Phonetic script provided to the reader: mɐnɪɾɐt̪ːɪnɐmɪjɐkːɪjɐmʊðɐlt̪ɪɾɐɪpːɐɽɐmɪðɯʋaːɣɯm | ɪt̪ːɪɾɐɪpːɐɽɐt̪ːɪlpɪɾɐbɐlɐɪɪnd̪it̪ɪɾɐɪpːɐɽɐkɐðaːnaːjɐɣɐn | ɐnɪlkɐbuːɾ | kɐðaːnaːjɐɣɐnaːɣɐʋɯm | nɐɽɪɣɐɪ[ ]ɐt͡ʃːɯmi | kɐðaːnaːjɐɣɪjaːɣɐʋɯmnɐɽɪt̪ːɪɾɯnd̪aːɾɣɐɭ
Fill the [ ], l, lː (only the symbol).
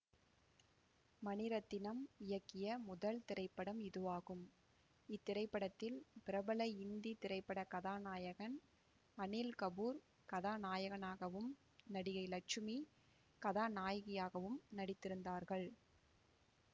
l